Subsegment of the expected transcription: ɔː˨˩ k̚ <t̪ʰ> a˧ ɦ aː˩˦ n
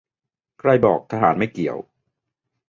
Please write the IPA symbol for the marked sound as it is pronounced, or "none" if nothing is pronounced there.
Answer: t̪ʰ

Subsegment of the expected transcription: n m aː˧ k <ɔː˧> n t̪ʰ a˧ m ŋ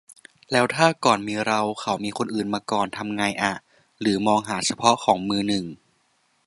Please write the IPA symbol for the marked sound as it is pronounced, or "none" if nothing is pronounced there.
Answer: ɔː˨˩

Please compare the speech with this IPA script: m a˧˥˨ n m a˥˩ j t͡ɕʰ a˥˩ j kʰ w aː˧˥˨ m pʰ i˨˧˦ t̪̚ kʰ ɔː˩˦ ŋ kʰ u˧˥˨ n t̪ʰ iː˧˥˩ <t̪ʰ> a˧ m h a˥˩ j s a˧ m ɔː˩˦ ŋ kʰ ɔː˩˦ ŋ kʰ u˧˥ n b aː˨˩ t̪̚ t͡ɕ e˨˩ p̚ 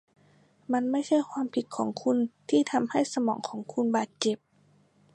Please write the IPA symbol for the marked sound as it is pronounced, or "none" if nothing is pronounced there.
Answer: t̪ʰ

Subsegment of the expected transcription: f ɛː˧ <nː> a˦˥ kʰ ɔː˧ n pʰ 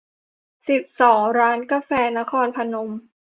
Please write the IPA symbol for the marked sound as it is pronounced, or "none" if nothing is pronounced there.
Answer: n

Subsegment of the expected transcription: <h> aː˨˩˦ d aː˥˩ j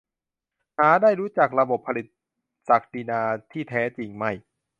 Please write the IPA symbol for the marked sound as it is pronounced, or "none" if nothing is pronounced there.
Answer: h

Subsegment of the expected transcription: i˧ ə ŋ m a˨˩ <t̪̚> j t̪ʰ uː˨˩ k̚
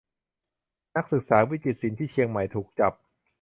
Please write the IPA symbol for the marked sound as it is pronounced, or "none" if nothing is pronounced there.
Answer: none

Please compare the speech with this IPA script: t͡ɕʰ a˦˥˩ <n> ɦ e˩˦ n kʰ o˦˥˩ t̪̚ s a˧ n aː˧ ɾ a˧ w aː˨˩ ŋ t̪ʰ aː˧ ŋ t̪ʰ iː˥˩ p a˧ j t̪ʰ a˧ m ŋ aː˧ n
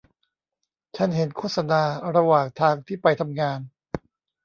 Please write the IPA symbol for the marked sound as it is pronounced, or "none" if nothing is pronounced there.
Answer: n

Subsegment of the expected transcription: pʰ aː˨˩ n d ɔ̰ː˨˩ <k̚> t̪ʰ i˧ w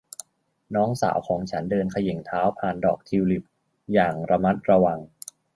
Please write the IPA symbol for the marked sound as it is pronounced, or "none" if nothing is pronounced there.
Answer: k̚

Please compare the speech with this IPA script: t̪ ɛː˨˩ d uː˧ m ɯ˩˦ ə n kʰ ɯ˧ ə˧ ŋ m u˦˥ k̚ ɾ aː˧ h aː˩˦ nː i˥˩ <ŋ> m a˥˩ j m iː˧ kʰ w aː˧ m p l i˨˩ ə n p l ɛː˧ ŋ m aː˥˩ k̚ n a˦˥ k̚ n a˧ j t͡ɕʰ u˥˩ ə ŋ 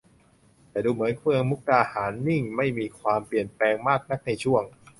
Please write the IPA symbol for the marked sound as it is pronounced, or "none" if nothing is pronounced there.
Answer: ŋ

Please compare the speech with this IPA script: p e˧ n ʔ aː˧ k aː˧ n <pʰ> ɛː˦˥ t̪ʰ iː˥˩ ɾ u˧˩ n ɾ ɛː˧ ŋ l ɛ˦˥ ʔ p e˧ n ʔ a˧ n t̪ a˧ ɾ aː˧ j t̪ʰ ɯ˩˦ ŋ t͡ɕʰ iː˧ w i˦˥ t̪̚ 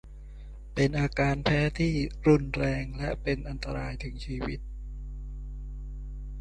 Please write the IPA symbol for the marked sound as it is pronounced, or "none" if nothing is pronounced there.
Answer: pʰ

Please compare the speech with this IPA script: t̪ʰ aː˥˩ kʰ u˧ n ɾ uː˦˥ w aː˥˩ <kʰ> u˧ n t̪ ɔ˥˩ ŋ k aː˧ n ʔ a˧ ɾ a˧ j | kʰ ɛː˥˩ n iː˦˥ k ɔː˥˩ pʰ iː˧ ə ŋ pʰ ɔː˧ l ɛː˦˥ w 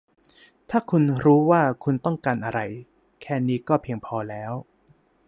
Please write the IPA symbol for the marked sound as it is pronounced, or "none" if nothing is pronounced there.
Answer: kʰ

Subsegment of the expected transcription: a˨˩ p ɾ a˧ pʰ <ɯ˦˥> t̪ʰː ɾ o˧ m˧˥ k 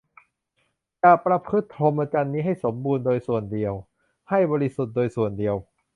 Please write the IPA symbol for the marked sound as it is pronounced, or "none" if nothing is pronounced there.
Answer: ɯ˦˥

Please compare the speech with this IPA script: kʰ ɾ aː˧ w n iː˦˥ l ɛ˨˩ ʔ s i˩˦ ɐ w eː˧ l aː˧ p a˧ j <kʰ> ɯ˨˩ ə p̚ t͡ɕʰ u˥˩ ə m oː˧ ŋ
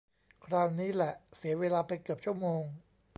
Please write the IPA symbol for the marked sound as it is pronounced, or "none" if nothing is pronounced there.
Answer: k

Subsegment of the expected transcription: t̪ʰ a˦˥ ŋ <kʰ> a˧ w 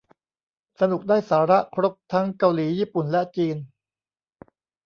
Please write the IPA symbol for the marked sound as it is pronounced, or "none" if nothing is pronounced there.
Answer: k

